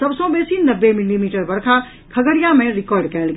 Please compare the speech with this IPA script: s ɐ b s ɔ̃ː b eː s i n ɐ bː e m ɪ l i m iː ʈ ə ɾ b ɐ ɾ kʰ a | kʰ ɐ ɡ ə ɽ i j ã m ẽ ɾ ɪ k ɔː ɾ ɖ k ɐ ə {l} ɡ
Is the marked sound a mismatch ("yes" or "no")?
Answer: no